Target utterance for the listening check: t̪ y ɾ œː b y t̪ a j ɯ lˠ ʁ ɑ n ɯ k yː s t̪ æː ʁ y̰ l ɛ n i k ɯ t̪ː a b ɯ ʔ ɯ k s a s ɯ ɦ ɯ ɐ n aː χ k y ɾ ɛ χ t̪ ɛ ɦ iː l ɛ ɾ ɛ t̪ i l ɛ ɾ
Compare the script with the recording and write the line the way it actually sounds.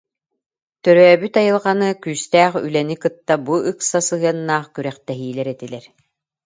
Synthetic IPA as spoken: t̪ œ ɾ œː b y t̪ a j ɯ lˠ ʁ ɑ n ɯ k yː s t̪ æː χ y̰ l ɛ n i k ɯ t̪ː a b u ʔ ɯ k s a s ɯ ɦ ɯ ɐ nː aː χ k y ɾ ɛ χ t̪ ɛ ɦ iː l ɛ ɾ ɛ t̪ i l ɛ ɾ